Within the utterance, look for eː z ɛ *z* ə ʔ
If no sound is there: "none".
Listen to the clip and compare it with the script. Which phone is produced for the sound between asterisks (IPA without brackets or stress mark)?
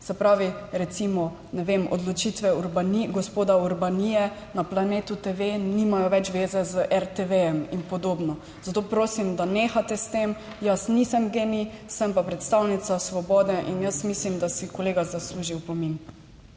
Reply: z